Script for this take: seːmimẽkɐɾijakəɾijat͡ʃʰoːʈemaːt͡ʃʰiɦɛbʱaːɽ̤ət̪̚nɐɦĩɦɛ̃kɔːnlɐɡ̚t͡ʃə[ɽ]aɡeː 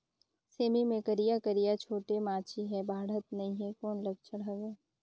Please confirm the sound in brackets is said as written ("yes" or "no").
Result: yes